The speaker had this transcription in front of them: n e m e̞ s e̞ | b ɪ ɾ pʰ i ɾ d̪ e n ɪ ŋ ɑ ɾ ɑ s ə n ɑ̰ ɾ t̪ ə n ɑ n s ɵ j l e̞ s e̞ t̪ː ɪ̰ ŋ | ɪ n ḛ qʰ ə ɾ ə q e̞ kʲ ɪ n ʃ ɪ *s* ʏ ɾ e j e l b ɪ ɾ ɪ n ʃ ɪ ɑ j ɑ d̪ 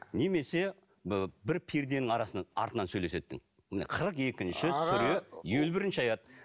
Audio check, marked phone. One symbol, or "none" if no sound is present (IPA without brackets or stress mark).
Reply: s